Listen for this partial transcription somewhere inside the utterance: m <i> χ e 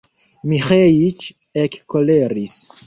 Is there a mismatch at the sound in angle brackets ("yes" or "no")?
no